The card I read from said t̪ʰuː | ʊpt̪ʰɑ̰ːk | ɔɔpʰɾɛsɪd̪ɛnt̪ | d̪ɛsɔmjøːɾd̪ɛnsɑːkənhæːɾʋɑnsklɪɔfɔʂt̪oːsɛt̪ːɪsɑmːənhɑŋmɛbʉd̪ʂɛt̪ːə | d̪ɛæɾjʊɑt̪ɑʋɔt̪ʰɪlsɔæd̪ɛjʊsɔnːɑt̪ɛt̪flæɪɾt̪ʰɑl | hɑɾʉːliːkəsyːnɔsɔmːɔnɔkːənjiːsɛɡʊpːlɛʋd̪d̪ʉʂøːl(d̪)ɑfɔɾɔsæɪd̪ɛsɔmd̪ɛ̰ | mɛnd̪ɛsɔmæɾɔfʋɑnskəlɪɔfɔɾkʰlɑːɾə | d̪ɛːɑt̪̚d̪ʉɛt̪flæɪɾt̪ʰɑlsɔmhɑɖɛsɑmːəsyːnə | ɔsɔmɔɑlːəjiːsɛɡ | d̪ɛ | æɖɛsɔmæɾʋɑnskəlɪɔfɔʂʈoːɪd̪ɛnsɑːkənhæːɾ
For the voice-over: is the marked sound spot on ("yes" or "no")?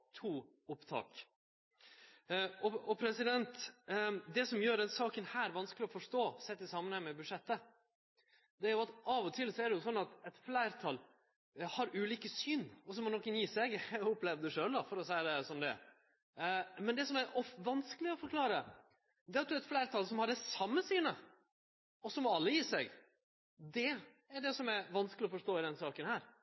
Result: yes